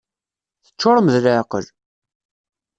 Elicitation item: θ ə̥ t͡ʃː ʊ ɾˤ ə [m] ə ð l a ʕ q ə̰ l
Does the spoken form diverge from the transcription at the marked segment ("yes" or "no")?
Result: no